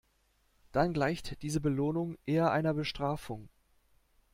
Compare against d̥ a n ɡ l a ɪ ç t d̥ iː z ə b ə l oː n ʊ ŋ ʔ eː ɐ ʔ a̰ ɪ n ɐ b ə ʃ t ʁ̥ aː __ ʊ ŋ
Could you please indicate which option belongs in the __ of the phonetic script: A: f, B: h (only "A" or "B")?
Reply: A